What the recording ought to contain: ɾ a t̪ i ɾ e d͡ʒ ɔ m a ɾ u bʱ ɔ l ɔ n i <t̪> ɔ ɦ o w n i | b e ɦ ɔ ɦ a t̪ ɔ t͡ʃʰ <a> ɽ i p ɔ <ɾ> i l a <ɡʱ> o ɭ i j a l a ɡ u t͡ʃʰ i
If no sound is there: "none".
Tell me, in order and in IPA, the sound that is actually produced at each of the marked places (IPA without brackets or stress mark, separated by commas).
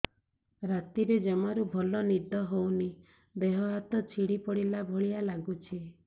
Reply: d̪, i, ɽ, bʱ